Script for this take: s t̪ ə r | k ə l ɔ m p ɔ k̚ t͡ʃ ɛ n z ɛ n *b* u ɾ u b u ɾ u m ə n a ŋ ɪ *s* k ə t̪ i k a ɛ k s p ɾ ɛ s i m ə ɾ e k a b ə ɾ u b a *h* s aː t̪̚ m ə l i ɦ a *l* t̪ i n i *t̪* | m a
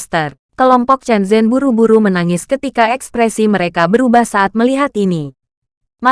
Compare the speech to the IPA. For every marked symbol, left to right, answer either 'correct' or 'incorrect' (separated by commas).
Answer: correct, correct, correct, incorrect, incorrect